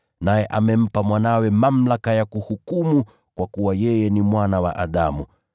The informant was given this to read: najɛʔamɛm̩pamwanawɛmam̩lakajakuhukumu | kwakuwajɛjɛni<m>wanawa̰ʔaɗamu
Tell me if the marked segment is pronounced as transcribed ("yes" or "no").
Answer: yes